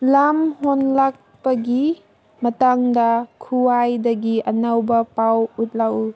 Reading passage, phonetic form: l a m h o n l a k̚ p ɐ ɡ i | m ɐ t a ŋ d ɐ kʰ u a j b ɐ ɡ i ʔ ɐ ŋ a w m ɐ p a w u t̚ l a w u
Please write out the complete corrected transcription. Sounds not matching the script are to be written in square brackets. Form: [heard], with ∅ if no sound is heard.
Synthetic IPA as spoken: l a m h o n l a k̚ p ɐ ɡ i | m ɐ t a ŋ d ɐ kʰ u a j [d] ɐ ɡ i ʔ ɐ [n] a w [b] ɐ p a w u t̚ l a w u